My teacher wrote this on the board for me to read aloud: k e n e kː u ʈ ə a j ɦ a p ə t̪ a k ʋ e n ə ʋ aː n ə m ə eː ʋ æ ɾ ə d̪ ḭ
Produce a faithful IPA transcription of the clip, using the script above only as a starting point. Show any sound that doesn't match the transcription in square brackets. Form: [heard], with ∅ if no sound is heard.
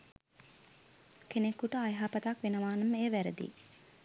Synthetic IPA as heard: k e n e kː u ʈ ə a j ɦ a p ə t̪ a k ʋ e n ə ʋ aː n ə m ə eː ʋ æ ɾ ə d̪ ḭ

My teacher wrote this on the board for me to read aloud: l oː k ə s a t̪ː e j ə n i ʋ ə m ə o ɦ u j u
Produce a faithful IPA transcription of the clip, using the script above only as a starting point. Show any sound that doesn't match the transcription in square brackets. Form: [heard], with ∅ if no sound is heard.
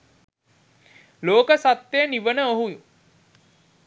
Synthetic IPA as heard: l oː k ə s a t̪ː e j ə n i ʋ ə [n] ə o ɦ u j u

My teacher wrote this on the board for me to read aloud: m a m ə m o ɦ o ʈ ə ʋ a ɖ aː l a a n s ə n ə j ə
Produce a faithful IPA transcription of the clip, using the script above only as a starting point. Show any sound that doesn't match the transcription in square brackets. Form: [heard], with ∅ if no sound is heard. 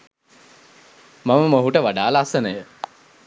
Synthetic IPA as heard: m a m ə m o ɦ [u] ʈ ə ʋ a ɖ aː l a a [∅] s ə n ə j ə

